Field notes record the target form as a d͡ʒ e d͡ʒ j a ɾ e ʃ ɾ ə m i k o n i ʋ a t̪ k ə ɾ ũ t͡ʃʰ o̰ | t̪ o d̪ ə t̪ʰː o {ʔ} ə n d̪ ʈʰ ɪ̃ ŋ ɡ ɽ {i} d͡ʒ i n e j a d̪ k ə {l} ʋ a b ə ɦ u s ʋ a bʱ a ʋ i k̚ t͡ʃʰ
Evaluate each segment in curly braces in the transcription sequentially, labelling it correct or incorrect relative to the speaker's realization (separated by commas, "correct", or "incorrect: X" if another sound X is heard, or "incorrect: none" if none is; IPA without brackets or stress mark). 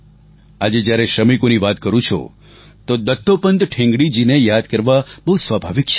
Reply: incorrect: p, correct, incorrect: ɾ